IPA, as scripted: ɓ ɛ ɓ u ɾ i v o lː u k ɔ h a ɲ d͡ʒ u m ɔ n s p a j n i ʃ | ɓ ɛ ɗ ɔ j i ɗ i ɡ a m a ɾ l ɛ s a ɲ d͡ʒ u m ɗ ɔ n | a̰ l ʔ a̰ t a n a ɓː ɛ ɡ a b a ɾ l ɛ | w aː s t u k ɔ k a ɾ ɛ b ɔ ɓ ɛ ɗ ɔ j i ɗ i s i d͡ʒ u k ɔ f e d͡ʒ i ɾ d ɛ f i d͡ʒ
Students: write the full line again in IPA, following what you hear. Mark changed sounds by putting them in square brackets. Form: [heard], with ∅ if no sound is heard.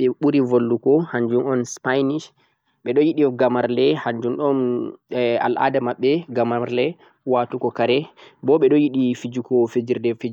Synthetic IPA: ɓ ɛ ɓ u ɾ i v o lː u k ɔ h a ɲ d͡ʒ u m ɔ n s p a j n i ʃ | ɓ ɛ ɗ ɔ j i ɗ i ɡ a m a ɾ l ɛ [h] a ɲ d͡ʒ u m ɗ ɔ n | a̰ l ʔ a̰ [d] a [m] a ɓː ɛ ɡ a [m] a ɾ l ɛ | w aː [∅] t u k ɔ k a ɾ ɛ b ɔ ɓ ɛ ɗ ɔ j i ɗ i [f] i d͡ʒ u k ɔ f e d͡ʒ i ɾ d ɛ f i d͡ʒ